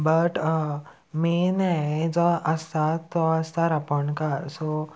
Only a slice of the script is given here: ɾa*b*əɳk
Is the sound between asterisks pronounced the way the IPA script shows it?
no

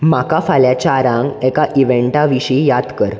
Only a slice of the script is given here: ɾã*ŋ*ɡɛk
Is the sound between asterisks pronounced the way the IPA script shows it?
yes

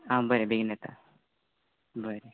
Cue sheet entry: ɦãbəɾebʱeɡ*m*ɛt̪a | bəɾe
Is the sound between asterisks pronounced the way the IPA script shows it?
no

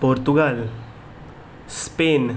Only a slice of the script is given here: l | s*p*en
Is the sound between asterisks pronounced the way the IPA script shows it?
yes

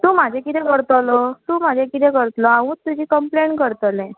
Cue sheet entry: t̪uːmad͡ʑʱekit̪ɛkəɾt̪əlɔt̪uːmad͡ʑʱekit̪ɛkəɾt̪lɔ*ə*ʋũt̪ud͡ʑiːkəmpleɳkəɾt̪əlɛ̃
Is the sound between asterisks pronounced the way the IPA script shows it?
no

